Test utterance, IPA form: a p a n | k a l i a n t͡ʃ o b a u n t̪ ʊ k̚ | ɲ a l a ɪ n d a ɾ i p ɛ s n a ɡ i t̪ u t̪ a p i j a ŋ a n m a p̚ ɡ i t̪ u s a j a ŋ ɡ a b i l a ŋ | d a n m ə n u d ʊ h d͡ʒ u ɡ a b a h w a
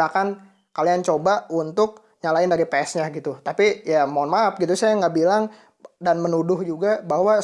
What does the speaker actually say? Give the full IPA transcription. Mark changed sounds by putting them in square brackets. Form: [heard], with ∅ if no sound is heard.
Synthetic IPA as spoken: a [k] a n | k a l i a n t͡ʃ o b a u n t̪ ʊ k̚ | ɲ a l a ɪ n d a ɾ i p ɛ s [ɲ] a ɡ i t̪ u t̪ a p i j a [m] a n m a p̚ ɡ i t̪ u s a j a ŋ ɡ a b i l a ŋ | d a n m ə n u d ʊ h d͡ʒ u ɡ a b a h w a